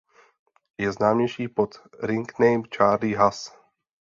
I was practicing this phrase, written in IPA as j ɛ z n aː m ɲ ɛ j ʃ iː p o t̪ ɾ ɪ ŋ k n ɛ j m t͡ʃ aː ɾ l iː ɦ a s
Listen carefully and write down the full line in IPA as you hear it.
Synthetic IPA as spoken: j ɛ z n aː m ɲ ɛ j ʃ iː p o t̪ ɾ ɪ ŋ k n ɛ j m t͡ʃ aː ɾ l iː ɦ a s